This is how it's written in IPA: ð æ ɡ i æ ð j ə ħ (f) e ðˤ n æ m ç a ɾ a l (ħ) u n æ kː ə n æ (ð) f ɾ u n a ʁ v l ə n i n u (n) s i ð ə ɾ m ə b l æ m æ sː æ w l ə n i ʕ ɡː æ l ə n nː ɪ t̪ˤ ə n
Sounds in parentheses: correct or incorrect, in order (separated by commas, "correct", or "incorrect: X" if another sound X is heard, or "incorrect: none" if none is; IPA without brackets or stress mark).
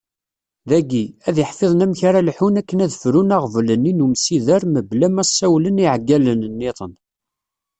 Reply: correct, correct, correct, incorrect: m